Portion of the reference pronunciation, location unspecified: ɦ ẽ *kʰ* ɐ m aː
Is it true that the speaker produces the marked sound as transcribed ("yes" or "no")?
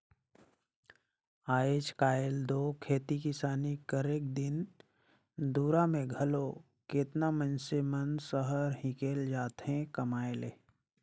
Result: no